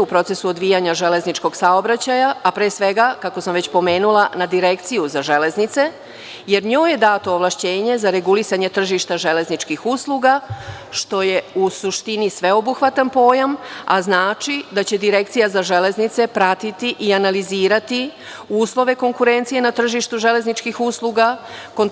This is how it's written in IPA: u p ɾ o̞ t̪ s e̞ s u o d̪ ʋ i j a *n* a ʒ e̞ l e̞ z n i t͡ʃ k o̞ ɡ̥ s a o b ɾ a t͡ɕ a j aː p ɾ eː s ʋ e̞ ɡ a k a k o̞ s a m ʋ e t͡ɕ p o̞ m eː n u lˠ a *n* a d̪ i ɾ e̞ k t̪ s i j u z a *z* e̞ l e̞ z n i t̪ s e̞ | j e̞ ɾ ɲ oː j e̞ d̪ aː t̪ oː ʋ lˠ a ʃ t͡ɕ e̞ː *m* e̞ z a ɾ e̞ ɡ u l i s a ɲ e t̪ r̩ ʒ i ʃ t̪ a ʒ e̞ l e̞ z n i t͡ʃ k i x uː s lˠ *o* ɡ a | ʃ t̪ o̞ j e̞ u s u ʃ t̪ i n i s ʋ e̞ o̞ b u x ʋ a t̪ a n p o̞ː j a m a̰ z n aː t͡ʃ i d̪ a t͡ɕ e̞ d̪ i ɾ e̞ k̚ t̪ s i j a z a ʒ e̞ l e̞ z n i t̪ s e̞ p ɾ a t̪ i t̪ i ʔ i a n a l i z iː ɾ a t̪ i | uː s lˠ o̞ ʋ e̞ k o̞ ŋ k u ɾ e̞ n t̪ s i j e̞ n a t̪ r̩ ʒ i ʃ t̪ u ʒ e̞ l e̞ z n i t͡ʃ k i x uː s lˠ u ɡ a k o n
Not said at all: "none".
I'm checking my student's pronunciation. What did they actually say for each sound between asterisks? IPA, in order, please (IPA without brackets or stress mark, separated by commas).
ɲ, n, ʒ, ɲ, u